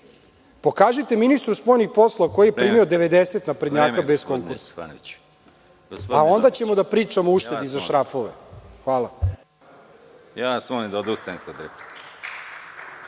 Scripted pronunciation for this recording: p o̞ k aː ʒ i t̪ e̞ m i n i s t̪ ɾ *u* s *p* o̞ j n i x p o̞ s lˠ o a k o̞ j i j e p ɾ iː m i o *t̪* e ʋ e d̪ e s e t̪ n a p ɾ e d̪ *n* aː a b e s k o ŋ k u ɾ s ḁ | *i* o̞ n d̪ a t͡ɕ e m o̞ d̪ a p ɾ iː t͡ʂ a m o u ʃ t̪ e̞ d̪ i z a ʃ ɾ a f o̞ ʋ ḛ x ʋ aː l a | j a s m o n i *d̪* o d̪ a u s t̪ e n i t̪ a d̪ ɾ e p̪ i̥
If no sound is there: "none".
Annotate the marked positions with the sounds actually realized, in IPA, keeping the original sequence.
u, p, d̪, ɲ, a, d̪

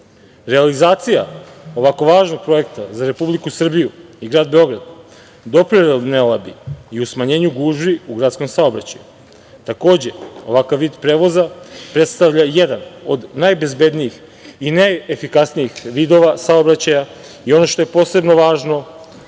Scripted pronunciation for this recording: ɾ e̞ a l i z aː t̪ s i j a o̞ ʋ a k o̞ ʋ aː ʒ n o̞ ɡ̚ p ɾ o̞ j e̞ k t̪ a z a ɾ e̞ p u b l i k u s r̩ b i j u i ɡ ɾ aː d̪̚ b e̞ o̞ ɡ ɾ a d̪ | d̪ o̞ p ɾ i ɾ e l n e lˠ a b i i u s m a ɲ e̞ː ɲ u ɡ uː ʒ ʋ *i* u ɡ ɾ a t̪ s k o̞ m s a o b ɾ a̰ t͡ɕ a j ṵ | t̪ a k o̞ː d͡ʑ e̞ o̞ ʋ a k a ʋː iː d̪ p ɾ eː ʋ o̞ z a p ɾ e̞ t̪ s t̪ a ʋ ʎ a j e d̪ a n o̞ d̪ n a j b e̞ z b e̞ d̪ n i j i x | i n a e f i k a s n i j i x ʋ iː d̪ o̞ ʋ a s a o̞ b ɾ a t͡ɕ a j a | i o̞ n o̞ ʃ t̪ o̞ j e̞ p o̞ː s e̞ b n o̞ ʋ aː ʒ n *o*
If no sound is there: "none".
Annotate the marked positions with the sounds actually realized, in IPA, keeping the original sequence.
i, o

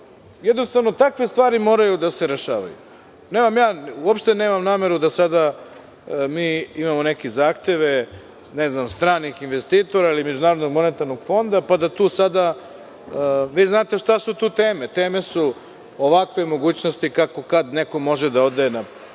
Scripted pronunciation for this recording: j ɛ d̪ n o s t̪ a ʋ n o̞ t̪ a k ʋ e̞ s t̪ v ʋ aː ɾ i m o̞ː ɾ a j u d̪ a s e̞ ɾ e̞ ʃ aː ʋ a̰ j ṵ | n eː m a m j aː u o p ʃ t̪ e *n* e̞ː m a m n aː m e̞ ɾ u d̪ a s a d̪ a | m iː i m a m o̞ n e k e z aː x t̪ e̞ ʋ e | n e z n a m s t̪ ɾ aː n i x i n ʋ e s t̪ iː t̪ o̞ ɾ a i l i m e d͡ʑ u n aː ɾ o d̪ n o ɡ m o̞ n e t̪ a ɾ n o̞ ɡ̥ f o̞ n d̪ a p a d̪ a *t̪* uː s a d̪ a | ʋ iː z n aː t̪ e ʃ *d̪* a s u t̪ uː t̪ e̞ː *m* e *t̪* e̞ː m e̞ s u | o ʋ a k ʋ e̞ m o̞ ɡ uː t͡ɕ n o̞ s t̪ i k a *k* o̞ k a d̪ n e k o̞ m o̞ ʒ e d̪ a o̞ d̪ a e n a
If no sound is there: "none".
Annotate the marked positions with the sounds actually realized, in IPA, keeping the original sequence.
n, t̪, t̪, m, t̪, k

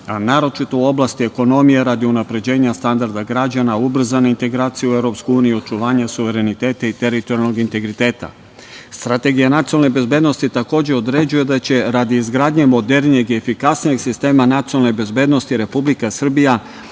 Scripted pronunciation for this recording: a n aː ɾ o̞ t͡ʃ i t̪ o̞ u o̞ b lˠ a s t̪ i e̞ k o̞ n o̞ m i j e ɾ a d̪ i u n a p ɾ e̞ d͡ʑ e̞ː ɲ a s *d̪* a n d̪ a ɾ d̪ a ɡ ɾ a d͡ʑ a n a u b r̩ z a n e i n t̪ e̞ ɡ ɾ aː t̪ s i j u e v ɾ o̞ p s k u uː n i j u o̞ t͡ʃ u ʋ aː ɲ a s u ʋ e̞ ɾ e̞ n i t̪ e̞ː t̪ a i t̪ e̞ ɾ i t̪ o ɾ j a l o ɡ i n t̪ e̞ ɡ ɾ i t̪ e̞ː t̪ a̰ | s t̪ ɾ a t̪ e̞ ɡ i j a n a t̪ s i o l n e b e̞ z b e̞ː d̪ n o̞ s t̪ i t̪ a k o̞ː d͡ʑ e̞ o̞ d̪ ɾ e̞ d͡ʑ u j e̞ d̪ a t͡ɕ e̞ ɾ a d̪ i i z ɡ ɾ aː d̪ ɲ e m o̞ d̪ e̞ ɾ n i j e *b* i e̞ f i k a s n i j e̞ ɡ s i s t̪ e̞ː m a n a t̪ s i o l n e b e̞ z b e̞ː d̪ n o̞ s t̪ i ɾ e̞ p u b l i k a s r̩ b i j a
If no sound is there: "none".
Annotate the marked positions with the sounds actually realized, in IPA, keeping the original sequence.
t̪, ɡ

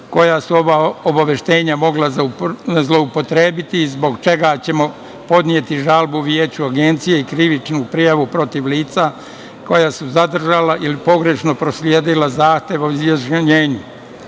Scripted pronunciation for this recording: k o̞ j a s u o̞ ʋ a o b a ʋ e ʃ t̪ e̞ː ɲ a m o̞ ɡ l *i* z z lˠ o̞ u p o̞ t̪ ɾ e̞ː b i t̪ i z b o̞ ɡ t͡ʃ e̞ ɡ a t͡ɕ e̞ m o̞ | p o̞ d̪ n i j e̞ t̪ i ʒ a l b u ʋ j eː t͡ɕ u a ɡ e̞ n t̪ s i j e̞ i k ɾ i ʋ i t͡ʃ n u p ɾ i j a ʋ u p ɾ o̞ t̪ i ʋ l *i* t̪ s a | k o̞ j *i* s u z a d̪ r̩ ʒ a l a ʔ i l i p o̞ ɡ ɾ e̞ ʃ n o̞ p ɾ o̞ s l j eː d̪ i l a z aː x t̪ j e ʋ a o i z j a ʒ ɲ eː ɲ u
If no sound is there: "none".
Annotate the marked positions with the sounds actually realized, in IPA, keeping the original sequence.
a, iː, a

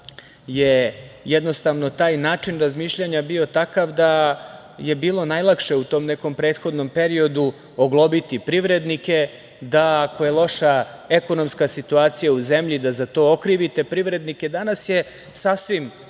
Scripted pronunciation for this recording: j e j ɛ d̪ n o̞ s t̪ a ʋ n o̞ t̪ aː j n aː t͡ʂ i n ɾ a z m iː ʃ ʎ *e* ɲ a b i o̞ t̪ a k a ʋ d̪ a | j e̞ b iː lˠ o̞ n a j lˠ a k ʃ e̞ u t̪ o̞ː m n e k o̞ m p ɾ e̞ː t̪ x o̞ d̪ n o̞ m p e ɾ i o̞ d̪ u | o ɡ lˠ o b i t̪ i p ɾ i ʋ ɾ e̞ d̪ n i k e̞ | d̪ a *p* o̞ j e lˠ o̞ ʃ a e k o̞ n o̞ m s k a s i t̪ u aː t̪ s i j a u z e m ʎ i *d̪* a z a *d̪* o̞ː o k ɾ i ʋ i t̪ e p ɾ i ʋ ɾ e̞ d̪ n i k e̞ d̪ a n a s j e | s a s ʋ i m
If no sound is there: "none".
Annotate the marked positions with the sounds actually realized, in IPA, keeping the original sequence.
a, k, d̪, t̪

